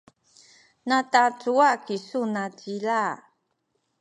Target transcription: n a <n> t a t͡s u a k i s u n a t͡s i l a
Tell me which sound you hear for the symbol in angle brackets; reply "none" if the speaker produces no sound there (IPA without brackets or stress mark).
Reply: none